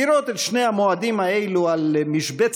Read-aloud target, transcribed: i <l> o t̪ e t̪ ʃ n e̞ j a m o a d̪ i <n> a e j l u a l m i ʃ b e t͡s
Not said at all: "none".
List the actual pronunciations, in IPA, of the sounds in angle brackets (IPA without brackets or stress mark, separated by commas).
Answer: ɾ, m